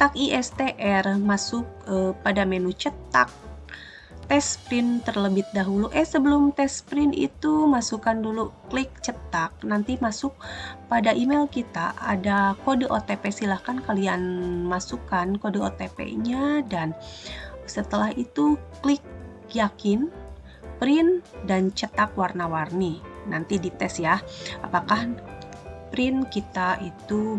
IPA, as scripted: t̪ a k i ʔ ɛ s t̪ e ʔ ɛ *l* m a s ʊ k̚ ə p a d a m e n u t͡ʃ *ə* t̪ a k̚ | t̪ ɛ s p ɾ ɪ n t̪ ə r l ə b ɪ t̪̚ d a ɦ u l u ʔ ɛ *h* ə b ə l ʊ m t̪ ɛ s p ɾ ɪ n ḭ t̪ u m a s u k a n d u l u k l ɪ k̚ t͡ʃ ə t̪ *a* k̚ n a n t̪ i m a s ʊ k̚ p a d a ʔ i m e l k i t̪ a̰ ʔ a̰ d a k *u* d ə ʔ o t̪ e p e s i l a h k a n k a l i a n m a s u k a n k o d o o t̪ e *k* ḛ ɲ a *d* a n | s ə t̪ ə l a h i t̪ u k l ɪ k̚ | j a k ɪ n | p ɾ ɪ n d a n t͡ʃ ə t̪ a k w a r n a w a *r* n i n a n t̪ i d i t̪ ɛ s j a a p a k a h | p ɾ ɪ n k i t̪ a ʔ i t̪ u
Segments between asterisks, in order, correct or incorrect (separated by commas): incorrect, correct, incorrect, correct, incorrect, incorrect, correct, correct